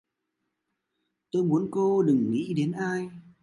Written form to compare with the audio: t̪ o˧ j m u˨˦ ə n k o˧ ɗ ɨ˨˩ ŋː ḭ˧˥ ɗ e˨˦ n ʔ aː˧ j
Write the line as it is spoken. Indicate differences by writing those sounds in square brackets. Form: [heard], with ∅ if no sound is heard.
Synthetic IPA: t̪ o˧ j m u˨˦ ə n k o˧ ɗ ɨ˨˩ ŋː ḭ˧˥ ɗ e˨˦ n ʔ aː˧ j